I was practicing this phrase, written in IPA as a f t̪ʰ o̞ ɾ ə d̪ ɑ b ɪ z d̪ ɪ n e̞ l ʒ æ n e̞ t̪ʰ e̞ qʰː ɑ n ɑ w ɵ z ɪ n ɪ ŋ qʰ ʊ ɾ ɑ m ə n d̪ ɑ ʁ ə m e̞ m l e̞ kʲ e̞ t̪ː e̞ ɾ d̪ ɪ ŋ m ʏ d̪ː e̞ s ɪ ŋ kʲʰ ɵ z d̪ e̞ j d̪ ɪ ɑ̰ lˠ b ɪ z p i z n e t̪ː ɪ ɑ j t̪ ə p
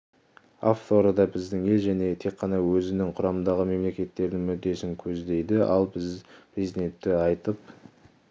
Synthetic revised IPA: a f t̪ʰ o̞ ɾ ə d̪ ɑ b ɪ z d̪ ɪ ŋ e̞ l ʒ æ n e̞ t̪ʰ e̞ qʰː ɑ n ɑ w ɵ z ɪ n ɪ ŋ qʰ ʊ ɾ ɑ m ə n d̪ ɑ ʁ ə m e̞ m l e̞ kʲ e̞ t̪ː e̞ ɾ d̪ ɪ ŋ m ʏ d̪ː e̞ s ɪ ŋ kʲʰ ɵ z d̪ e̞ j d̪ ɪ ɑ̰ lˠ b ɪ z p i z n e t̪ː ɪ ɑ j t̪ ə p